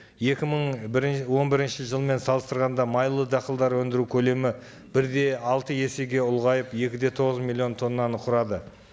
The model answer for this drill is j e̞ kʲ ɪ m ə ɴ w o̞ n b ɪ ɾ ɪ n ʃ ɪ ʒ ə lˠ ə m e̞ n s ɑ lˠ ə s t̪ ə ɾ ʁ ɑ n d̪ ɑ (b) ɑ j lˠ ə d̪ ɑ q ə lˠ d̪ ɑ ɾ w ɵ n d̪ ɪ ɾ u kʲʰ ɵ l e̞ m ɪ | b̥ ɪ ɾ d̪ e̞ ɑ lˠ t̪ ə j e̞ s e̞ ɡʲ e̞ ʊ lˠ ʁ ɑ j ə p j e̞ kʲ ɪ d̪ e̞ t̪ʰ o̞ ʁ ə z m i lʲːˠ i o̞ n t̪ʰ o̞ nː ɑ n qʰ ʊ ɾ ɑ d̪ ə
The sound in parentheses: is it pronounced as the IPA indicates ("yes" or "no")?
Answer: no